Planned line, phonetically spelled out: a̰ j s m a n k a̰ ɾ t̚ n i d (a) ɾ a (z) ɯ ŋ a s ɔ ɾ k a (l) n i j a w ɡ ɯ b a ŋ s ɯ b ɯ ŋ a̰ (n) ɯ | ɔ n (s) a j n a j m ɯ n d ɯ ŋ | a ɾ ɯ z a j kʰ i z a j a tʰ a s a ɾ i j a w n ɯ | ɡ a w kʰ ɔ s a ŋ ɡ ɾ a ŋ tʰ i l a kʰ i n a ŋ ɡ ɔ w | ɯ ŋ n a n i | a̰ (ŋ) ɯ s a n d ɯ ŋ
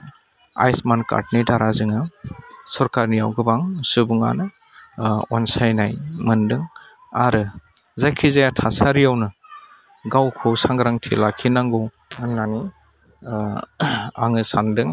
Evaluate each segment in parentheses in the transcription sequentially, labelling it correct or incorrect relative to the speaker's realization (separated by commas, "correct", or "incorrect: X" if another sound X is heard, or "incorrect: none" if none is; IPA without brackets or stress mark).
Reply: correct, correct, incorrect: ɾ, correct, correct, correct